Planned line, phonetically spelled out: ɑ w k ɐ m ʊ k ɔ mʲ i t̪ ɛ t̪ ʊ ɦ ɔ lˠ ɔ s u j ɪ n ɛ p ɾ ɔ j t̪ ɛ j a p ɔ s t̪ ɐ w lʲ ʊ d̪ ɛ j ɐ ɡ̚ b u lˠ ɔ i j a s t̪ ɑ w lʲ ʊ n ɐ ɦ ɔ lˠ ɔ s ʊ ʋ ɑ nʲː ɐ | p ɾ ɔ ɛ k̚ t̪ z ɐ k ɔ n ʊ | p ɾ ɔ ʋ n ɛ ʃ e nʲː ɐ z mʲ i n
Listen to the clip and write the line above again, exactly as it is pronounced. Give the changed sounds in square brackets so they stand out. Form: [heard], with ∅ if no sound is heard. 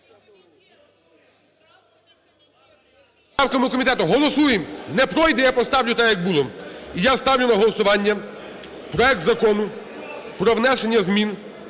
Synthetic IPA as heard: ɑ w k ɐ m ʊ k ɔ mʲ i t̪ ɛ t̪ ʊ ɦ ɔ lˠ ɔ s u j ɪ n ɛ p ɾ ɔ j [d̪] ɛ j a p ɔ s t̪ [ɑ] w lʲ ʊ [t̪] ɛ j ɐ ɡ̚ b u lˠ ɔ i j a s t̪ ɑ w lʲ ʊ n ɐ ɦ ɔ lˠ ɔ s ʊ ʋ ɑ nʲː ɐ | p ɾ ɔ ɛ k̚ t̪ z ɐ k ɔ n ʊ | p ɾ ɔ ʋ n ɛ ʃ e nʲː ɐ z mʲ i n